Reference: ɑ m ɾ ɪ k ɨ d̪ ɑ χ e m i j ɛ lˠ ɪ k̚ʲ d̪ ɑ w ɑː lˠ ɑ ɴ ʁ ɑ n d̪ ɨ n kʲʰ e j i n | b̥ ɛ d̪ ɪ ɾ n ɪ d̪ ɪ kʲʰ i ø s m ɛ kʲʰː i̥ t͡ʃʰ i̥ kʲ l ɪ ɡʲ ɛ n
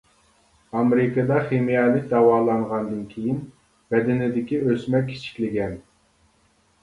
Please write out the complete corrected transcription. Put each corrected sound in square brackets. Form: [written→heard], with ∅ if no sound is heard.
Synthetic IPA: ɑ m ɾ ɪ k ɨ d̪ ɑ χ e m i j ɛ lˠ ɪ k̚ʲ d̪ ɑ w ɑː lˠ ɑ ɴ ʁ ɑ n d̪ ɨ n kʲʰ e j i n | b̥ ɛ d̪ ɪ [ɾ→∅] n ɪ d̪ ɪ [kʲʰ→kʲ] i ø s m ɛ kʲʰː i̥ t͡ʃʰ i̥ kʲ l ɪ ɡʲ ɛ n